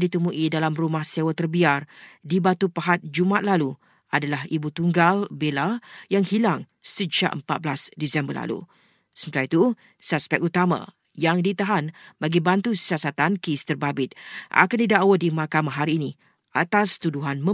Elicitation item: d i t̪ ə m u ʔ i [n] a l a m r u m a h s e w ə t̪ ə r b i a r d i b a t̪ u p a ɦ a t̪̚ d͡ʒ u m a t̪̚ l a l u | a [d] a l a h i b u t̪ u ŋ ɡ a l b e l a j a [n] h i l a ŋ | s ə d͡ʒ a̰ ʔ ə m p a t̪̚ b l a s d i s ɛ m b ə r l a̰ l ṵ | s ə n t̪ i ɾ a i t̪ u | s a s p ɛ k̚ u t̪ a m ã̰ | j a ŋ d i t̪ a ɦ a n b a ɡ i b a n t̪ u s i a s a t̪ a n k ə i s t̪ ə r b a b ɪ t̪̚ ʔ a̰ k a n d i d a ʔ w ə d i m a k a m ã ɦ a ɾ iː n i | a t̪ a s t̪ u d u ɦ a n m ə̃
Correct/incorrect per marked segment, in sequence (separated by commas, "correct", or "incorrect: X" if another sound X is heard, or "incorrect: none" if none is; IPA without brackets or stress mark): incorrect: d, correct, incorrect: ŋ